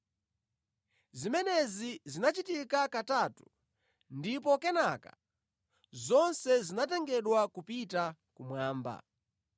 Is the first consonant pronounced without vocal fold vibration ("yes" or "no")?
no